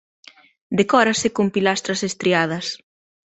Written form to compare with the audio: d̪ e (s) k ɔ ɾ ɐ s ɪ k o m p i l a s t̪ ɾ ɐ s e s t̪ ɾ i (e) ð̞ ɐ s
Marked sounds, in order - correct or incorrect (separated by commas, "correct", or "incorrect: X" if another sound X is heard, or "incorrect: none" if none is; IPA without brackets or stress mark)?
incorrect: none, incorrect: a